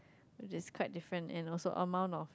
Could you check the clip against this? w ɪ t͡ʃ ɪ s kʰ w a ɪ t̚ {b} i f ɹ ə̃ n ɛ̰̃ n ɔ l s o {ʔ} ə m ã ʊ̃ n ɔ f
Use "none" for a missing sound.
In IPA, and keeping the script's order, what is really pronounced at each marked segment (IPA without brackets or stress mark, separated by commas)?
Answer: d, ʔ